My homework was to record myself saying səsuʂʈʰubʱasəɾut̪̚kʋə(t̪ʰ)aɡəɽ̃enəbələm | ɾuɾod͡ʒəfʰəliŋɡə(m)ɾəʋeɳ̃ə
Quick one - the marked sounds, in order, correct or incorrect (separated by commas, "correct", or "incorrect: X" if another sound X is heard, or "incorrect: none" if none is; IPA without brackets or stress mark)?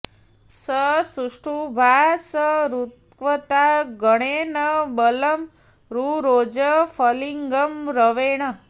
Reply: incorrect: t̪, correct